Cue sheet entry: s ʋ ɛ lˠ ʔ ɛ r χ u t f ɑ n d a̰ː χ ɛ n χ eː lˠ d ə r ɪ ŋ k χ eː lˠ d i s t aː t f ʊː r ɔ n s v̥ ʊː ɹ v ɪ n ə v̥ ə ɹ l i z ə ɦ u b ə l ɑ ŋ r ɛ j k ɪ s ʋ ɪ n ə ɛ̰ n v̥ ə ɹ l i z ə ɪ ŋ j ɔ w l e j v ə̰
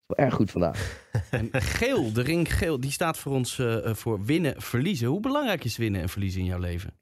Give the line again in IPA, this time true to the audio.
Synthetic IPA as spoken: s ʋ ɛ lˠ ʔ ɛ ɹ χ u t f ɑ n d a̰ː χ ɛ n χ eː lˠ d ə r ɪ ŋ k χ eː lˠ d i s t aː t f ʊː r ɔ n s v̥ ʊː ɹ ʋ ɪ n ə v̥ ə ɹ l i z ə ɦ u b ə l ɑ ŋ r ɛ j k ɪ s ʋ ɪ n ə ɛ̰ n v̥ ə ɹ l i z ə ɪ n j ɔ w l e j v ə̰